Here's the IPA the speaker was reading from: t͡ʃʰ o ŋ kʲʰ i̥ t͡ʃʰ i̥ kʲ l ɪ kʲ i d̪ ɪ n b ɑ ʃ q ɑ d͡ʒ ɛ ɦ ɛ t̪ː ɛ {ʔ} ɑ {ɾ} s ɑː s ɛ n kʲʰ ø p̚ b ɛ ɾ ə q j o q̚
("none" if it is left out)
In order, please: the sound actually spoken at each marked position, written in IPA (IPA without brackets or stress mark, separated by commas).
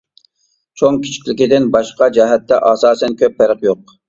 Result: ʔ, none